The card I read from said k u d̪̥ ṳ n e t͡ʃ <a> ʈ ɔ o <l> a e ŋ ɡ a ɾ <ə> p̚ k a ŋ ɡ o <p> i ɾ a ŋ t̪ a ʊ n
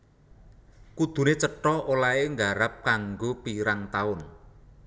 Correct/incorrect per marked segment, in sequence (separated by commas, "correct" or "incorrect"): incorrect, correct, incorrect, correct